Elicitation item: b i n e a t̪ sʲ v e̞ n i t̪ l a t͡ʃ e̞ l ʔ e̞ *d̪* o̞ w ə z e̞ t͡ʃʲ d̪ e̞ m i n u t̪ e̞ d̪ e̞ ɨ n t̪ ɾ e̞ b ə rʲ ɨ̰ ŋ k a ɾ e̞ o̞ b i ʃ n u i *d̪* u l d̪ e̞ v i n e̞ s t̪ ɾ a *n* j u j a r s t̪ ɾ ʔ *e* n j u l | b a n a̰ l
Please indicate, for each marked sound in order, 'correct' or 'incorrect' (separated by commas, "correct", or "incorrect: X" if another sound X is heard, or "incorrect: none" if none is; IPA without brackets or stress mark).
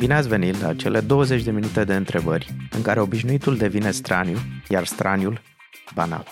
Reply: correct, incorrect: t̪, correct, incorrect: a